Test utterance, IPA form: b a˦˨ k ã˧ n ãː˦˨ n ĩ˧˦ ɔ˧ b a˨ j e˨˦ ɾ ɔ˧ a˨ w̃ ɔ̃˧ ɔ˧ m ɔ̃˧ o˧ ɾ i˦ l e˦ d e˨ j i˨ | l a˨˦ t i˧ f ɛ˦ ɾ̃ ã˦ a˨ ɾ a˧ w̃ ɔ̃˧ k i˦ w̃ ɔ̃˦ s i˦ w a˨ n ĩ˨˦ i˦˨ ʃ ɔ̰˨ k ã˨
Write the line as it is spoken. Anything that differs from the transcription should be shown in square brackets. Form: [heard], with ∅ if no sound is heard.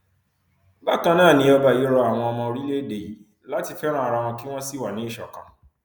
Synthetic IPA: b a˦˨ k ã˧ n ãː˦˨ n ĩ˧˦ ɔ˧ b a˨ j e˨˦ ɾ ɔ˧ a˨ w̃ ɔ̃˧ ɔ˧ m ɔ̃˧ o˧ ɾ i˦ l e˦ d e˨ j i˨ | l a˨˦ t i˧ f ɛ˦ ɾ̃ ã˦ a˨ ɾ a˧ w̃ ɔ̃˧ k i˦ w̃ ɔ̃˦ s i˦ w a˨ n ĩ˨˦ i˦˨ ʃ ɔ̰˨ k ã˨